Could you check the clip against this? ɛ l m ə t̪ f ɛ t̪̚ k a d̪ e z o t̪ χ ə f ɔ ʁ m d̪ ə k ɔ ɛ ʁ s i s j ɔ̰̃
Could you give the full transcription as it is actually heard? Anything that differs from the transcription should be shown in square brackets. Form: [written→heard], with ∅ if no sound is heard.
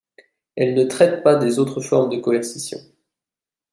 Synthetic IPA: ɛ l [m→n] ə t̪ [f→χ] ɛ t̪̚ [k→p] a d̪ e z o t̪ χ ə f ɔ ʁ m d̪ ə k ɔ ɛ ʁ s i s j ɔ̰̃